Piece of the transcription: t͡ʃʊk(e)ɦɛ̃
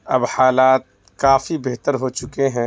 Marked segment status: correct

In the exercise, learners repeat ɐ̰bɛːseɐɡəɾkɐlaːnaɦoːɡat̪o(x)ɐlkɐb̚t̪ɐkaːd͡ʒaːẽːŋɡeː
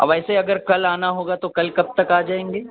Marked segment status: incorrect: k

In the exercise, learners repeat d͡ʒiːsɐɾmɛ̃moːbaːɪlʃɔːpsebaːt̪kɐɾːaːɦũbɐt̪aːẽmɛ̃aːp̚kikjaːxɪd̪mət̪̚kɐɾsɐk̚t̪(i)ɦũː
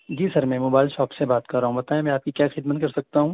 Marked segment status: incorrect: a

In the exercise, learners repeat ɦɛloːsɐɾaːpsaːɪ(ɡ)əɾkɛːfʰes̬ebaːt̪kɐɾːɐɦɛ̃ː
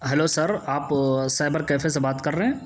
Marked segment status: incorrect: b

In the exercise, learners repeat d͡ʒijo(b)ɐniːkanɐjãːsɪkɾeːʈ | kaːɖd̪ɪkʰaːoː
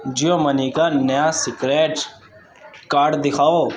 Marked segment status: incorrect: m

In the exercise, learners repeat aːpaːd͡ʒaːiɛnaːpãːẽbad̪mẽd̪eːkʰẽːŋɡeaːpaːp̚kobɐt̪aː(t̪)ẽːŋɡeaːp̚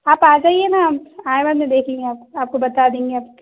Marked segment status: incorrect: d̪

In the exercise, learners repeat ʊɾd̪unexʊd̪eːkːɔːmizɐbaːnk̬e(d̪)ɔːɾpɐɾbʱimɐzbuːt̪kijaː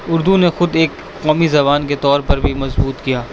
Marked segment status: incorrect: t̪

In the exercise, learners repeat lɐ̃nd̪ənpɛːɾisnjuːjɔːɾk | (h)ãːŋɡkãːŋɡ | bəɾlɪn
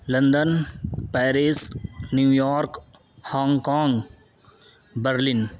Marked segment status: correct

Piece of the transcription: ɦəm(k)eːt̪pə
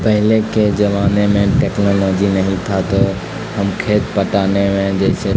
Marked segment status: incorrect: kʰ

